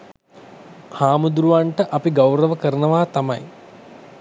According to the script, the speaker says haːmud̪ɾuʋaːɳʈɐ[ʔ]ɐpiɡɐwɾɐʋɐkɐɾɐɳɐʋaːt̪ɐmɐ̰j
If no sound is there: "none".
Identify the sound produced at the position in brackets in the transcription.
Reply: ʔ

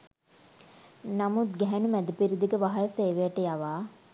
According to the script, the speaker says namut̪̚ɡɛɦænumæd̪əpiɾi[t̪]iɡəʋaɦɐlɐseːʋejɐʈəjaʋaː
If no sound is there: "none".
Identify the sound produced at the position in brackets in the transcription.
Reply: d̪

